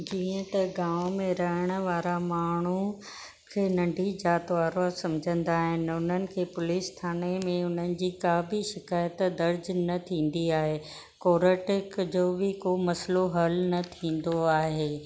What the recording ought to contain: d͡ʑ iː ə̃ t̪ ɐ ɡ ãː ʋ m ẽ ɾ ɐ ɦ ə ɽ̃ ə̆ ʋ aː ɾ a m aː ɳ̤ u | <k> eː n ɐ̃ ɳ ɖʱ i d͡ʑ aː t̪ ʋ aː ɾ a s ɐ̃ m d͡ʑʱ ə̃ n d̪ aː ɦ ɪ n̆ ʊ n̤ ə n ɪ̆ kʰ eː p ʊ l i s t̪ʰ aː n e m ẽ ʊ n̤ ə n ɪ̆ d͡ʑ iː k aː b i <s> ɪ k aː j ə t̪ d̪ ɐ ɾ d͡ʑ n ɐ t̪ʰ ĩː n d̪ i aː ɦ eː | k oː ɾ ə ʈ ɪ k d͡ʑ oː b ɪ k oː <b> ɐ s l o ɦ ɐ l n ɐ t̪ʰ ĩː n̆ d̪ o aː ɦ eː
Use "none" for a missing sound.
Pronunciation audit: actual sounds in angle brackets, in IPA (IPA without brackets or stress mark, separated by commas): kʰ, ʃ, m